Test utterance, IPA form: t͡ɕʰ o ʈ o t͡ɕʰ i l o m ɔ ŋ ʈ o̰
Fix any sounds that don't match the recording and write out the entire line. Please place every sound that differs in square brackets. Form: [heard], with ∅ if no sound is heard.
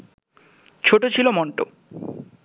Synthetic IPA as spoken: t͡ɕʰ o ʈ o t͡ɕʰ i l o m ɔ [ɳ] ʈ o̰

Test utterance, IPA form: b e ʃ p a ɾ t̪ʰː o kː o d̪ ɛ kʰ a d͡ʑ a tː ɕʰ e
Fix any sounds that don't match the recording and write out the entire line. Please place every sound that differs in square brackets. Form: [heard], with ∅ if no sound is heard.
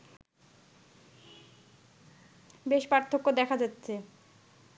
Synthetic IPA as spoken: b e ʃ p a ɾ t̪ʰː o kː o d̪ ɛ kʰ a d͡ʑ a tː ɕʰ e

